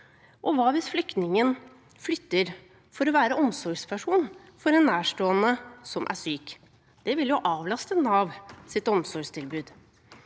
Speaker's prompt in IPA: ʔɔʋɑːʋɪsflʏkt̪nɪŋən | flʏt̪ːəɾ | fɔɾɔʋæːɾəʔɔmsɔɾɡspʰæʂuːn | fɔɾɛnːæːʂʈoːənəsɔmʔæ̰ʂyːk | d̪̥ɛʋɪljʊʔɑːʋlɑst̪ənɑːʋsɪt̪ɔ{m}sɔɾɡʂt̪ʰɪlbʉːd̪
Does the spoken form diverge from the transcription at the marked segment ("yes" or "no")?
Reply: no